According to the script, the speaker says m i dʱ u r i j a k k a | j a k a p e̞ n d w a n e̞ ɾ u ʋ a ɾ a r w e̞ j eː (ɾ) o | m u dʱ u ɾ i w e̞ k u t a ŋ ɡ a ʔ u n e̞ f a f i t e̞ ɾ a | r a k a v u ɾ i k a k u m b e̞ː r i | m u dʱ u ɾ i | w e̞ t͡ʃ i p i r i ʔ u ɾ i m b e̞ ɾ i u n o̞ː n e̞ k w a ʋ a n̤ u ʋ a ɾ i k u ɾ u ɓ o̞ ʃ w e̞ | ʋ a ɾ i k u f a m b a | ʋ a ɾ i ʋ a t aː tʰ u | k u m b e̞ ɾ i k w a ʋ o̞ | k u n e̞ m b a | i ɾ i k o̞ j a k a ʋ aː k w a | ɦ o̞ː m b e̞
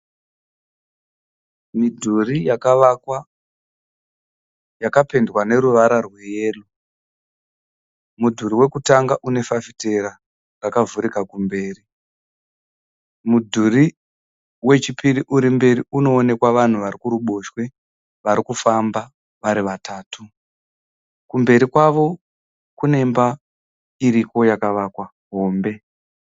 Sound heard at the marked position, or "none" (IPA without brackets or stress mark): l